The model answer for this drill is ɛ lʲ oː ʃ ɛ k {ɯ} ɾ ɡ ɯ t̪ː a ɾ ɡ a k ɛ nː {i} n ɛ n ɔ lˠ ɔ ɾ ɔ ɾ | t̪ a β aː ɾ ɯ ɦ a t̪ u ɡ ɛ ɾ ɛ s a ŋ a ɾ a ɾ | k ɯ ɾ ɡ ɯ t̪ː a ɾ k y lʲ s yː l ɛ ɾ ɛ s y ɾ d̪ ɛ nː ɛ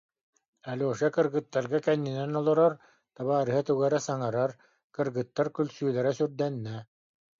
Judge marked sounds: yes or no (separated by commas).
yes, yes